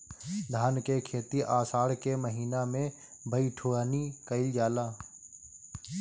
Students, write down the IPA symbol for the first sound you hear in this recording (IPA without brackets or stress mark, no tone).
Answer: d̪ʱ